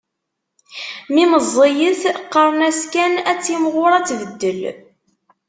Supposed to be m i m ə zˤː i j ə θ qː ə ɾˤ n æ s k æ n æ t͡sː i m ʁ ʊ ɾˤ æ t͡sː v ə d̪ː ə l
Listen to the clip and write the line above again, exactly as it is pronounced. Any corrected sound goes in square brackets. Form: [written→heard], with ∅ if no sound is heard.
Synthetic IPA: m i m ə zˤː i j ə θ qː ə ɾˤ n æ s k æ n æ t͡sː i m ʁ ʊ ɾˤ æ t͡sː v ə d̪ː ə l